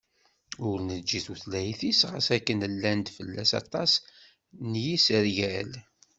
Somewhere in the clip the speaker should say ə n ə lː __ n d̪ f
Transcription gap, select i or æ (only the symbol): æ